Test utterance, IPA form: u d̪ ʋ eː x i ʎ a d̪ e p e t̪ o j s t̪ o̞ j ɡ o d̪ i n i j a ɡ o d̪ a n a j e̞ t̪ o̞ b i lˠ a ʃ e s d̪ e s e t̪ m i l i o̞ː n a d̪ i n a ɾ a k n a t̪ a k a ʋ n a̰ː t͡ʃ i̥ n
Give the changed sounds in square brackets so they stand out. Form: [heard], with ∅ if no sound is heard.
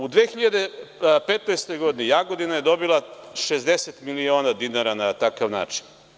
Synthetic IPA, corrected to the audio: u d̪ ʋ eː x i ʎ a d̪ e p e t̪ o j s t̪ o̞ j ɡ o d̪ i n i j a ɡ o d̪ [i] n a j e̞ [d̪] o̞ b i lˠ a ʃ e [z] d̪ e s e t̪ m i l i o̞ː n a d̪ i n a ɾ a [∅] n a t̪ a k a ʋ n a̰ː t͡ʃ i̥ n